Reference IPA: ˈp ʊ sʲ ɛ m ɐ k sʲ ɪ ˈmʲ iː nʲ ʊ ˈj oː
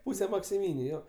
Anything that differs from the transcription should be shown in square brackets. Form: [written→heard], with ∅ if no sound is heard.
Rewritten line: ˈp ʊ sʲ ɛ m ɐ k sʲ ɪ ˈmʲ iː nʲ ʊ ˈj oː